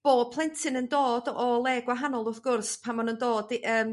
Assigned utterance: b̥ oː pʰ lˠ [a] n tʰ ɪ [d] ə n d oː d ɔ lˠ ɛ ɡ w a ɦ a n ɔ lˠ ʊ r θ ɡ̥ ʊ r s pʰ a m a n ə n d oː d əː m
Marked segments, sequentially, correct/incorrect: incorrect, incorrect

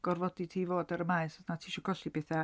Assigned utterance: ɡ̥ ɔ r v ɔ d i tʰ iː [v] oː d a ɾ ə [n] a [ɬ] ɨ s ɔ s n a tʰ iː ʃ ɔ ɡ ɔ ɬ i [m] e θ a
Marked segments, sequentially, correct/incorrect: correct, incorrect, incorrect, incorrect

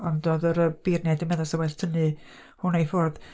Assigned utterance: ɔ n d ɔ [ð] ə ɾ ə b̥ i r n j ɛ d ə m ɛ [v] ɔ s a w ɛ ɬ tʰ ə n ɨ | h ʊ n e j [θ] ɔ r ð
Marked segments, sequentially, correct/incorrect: correct, incorrect, incorrect

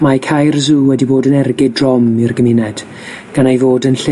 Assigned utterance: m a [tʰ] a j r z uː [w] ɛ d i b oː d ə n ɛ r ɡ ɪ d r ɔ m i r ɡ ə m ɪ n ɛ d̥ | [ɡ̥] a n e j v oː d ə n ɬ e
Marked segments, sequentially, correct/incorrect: incorrect, correct, correct

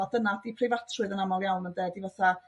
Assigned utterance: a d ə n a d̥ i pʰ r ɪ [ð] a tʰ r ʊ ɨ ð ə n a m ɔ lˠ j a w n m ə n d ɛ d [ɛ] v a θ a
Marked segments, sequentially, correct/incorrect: incorrect, incorrect

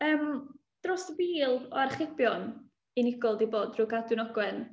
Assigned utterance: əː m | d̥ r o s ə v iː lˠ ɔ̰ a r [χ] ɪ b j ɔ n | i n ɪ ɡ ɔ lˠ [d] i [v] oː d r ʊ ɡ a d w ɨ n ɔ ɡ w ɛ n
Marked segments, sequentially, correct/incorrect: correct, correct, incorrect

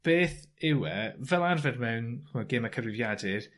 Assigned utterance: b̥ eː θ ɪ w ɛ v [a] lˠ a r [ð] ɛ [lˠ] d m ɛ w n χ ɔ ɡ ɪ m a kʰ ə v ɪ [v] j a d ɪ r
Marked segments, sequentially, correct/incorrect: incorrect, incorrect, incorrect, correct

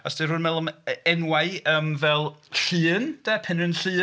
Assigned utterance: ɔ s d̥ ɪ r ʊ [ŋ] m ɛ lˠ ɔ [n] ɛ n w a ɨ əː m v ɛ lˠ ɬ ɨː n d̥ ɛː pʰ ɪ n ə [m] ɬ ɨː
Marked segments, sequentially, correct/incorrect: incorrect, incorrect, incorrect

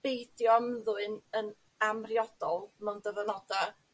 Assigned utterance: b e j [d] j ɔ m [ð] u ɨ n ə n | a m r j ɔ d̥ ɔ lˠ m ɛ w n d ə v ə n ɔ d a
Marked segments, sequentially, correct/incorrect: correct, correct

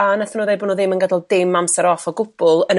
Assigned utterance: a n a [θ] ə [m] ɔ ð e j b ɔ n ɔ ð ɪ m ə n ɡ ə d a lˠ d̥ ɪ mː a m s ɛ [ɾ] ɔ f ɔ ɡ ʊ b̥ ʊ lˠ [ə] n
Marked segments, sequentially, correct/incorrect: correct, incorrect, correct, correct

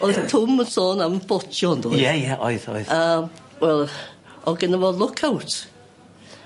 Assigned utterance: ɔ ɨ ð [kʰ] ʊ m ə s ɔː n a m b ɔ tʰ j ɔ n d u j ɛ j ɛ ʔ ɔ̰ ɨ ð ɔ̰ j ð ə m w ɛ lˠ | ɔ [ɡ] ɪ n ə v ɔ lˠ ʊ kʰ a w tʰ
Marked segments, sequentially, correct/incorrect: incorrect, correct

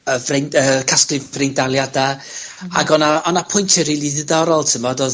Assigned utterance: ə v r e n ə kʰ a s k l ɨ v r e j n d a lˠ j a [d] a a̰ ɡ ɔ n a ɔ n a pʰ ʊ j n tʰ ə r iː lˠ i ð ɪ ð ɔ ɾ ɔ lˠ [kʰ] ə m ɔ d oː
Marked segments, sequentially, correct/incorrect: correct, incorrect

